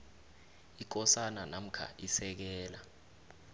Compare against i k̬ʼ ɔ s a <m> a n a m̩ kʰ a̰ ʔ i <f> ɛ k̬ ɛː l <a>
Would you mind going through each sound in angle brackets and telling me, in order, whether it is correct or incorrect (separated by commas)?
incorrect, incorrect, correct